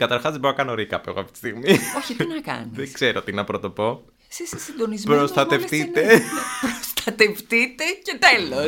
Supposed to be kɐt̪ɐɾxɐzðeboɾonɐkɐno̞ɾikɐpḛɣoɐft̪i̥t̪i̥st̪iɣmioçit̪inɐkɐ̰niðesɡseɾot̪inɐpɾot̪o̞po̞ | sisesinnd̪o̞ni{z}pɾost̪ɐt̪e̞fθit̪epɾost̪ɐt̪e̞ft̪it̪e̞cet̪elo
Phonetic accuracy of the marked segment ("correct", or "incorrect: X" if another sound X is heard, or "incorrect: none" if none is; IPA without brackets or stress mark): correct